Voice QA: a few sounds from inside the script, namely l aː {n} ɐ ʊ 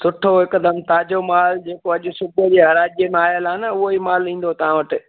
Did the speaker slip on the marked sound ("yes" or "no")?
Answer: no